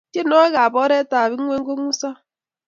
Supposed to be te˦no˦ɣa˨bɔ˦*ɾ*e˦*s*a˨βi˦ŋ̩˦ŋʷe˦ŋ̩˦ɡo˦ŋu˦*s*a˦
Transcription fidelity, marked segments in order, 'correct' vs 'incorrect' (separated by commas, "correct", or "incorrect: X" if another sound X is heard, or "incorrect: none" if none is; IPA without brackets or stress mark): correct, incorrect: t, correct